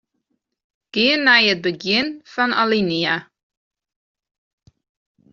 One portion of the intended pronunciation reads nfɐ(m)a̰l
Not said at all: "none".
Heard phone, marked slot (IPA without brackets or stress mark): n